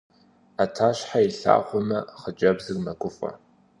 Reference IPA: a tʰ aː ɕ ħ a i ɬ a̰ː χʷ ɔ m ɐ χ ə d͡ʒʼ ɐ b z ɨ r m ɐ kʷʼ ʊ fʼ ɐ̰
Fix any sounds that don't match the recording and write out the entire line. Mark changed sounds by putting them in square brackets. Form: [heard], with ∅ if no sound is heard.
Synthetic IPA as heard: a tʰ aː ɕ ħ a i ɬ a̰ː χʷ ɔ m ɐ χ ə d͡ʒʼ ɐ b z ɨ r m ɐ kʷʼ ʊ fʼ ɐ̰